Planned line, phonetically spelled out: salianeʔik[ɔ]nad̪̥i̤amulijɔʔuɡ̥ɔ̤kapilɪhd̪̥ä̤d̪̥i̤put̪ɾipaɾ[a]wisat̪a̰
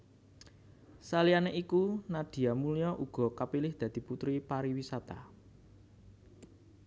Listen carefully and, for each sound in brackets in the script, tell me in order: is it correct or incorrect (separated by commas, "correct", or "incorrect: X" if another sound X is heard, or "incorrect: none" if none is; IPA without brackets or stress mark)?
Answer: incorrect: u, incorrect: i